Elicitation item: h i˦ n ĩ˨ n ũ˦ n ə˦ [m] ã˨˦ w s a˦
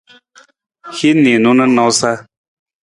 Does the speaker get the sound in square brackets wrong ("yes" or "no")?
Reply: yes